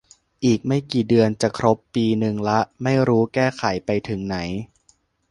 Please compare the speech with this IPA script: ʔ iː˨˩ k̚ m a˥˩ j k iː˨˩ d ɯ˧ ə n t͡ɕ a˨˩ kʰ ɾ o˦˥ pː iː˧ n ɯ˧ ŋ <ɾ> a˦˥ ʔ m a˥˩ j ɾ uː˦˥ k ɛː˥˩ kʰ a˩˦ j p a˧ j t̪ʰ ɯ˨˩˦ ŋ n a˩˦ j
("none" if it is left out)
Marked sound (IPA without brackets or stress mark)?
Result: l